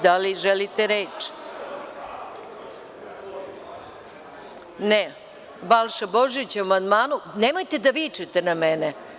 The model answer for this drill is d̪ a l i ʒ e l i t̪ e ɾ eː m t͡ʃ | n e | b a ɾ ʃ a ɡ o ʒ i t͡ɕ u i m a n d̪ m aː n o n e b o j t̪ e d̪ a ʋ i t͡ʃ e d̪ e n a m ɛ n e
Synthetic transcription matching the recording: d̪ a l i ʒ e l i t̪ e ɾ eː t͡ʃ | n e | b a l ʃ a b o ʒ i t͡ɕ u a m a n d̪ m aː n u n e m o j t̪ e d̪ a ʋ i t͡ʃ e t̪ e n a m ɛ n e